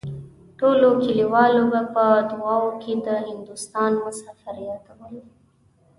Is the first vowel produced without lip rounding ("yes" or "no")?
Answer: no